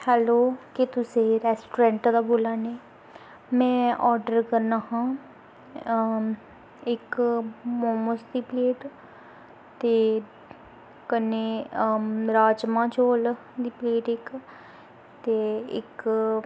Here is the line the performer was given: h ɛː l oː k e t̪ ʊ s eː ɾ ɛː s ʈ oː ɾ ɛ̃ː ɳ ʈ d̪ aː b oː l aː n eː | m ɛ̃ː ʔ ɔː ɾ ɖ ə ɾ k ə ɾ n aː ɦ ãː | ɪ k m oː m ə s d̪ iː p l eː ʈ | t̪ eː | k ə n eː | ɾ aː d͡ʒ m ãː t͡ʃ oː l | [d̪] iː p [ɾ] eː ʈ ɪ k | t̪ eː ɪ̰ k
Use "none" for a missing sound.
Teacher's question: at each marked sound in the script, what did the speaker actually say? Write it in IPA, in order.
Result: d̪, l

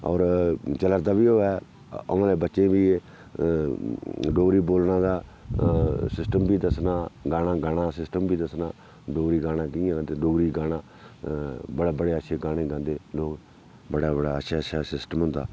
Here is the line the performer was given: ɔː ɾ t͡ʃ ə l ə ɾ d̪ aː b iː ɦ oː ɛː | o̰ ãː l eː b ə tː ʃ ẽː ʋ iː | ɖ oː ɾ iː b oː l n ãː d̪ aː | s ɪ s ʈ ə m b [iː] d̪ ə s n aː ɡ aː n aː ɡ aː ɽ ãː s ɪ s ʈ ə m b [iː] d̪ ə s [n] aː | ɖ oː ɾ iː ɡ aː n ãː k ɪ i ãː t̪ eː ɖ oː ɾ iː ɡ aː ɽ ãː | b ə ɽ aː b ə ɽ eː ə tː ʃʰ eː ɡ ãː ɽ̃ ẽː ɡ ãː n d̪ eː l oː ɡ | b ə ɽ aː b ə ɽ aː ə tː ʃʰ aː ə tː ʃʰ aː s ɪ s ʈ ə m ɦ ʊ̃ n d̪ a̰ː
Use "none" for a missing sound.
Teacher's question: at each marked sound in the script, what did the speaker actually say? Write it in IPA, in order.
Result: iː, iː, n

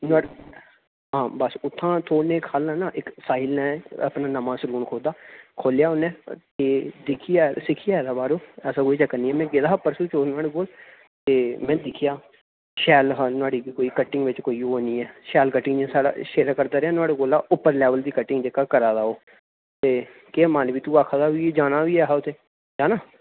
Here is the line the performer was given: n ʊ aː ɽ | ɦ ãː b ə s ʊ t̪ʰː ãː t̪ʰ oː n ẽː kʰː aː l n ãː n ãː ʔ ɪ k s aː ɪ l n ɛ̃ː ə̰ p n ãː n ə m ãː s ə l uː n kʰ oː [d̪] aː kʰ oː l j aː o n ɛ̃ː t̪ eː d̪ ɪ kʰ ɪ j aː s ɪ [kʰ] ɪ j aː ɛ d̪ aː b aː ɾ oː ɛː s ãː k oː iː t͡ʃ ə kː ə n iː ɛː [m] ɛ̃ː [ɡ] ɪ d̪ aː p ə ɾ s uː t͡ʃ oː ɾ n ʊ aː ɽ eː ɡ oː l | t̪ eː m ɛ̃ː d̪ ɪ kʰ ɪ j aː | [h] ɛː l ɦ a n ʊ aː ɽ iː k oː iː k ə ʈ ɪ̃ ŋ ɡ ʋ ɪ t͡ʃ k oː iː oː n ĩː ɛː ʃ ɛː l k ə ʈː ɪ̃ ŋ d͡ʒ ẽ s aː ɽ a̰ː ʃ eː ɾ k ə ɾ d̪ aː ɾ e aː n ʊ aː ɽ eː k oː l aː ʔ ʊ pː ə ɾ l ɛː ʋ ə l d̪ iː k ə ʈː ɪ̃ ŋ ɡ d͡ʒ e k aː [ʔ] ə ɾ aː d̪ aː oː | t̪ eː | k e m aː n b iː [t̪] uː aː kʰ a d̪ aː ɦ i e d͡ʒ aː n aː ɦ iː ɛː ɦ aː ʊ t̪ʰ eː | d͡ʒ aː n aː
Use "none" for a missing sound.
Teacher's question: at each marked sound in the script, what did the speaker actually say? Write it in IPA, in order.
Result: d̪, kʰ, m, ɡ, ʃ, k, t̪

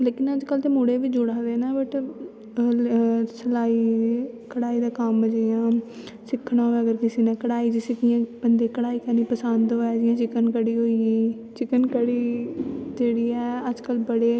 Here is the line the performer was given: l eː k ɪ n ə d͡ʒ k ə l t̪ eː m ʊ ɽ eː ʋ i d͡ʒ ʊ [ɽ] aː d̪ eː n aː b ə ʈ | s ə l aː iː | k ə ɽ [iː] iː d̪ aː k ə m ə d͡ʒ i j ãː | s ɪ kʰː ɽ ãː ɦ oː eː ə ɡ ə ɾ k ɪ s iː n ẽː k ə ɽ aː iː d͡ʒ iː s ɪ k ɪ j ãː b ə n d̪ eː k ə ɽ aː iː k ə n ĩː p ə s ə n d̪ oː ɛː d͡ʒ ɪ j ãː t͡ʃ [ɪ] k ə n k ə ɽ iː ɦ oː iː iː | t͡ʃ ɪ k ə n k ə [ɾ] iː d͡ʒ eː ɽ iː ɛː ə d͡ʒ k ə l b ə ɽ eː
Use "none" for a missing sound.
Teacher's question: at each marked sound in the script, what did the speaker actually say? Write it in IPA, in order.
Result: ɽ, aː, ɪ, ɽ

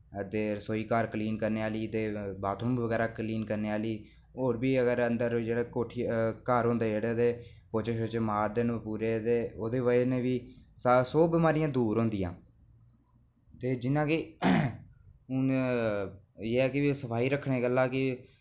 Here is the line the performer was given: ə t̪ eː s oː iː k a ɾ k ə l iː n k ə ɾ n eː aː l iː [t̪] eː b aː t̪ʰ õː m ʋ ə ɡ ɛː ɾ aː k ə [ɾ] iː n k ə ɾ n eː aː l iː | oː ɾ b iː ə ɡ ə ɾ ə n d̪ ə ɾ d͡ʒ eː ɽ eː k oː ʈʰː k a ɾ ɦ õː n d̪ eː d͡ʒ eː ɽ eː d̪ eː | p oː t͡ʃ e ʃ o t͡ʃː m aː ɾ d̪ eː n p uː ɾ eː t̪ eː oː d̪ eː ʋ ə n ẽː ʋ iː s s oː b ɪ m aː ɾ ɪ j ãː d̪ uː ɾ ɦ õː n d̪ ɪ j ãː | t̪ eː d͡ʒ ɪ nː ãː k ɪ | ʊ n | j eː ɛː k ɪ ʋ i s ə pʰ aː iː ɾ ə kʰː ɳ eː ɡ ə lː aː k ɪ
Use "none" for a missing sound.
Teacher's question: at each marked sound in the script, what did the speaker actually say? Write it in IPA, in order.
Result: t̪, l

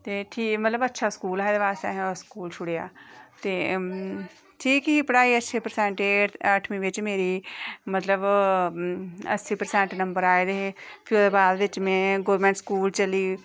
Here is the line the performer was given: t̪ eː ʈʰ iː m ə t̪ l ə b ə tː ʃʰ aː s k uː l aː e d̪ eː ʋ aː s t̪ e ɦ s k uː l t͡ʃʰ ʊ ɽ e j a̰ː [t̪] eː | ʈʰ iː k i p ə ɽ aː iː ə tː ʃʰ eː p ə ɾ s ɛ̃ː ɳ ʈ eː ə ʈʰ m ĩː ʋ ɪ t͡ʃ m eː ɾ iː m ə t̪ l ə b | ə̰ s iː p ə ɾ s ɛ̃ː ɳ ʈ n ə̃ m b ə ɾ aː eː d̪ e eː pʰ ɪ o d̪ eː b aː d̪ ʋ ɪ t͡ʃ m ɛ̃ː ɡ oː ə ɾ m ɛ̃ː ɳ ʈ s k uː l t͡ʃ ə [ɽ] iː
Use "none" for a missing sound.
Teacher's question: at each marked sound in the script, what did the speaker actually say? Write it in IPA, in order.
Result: t̪, l

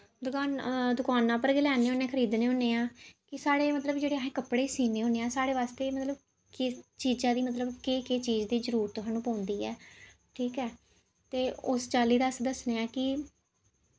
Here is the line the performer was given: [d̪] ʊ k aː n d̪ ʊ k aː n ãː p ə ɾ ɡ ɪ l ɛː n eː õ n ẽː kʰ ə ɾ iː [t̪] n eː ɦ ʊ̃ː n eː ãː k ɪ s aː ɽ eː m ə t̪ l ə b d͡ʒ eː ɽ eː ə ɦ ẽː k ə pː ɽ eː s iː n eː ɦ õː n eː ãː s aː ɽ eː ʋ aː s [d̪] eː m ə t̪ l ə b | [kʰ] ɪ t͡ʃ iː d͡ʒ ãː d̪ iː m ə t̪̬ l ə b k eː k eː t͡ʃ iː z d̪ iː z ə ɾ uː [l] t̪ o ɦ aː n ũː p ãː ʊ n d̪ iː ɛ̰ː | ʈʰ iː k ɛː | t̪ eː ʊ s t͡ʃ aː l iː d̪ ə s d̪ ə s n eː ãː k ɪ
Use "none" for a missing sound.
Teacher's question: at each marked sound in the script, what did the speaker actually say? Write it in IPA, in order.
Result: d̪, d̪, t̪, k, ɾ

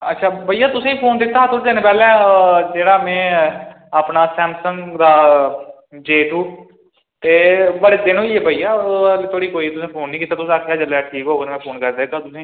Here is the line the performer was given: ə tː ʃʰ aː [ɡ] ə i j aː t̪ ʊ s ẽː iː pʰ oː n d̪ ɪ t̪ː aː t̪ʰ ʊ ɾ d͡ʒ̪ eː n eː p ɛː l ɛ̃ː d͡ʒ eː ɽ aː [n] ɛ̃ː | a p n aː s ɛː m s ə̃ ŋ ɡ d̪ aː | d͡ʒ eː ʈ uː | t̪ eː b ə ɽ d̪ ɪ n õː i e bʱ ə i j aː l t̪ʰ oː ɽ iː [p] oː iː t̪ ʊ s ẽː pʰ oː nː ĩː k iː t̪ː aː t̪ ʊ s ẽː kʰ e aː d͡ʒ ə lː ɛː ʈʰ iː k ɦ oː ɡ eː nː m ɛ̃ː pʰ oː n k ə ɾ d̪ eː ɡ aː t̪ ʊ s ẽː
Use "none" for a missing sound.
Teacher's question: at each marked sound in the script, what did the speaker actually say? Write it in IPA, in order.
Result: b, m, k

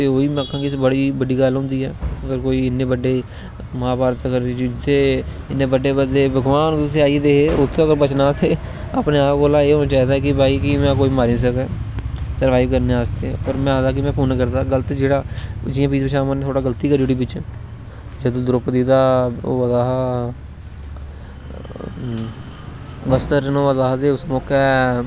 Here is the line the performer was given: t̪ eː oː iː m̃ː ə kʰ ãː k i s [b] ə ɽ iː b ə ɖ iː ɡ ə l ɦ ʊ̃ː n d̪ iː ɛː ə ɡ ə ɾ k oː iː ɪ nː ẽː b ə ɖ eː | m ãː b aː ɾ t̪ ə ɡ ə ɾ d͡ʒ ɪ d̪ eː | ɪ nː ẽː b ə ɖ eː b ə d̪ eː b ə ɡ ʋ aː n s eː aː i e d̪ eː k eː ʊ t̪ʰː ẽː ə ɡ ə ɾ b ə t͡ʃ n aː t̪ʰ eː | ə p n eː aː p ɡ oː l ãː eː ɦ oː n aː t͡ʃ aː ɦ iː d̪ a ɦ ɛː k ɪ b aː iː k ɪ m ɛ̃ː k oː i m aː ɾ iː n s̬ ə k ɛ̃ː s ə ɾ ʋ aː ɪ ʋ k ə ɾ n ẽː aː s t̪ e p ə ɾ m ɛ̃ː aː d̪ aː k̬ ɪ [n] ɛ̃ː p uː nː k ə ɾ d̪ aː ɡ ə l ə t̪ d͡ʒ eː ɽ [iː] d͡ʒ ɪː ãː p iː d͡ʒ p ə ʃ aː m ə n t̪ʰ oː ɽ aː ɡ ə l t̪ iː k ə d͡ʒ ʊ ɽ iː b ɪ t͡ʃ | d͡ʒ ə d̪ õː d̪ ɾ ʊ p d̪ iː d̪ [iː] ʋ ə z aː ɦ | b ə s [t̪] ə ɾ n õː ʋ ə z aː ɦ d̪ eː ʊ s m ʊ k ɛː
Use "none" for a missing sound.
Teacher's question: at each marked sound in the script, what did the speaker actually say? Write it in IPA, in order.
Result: b, m, aː, aː, t̪

